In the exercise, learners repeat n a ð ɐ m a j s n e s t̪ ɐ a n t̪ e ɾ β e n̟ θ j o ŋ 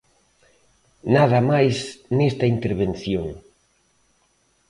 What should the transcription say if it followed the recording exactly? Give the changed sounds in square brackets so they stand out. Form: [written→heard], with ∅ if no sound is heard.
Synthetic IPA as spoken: n a ð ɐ m a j s n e s t̪ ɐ [a→i] n t̪ e ɾ β e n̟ θ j o ŋ